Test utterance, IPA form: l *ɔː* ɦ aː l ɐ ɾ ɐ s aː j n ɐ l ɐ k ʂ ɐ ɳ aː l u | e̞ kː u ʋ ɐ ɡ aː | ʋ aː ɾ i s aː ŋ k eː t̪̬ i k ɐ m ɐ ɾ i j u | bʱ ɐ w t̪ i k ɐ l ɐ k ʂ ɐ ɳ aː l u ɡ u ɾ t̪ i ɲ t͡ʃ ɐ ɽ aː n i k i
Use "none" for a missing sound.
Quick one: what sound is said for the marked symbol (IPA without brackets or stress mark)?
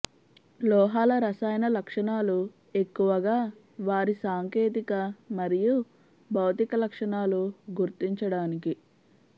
ɔː